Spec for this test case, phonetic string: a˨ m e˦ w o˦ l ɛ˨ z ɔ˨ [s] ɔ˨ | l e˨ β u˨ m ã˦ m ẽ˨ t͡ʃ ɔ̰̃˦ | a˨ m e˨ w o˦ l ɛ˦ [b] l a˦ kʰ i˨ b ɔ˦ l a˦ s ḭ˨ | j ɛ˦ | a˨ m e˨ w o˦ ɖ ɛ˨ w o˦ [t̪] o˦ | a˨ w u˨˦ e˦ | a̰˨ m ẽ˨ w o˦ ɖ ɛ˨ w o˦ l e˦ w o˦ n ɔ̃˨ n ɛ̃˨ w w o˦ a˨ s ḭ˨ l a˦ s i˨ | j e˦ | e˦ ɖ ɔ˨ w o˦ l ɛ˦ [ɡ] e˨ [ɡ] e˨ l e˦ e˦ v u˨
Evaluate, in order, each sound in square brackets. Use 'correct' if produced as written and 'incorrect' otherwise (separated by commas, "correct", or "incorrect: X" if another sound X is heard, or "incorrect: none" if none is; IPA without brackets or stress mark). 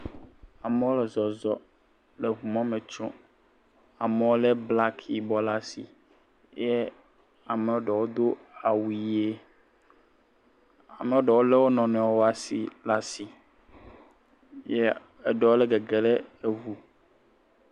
incorrect: z, correct, incorrect: d̪, correct, correct